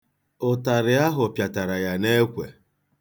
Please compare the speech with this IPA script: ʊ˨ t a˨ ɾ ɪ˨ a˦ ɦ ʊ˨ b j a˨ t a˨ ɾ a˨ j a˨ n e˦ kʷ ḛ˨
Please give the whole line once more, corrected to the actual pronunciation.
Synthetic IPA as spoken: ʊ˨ t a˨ ɾ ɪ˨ a˦ ɦ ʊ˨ p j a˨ t a˨ ɾ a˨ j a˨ n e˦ kʷ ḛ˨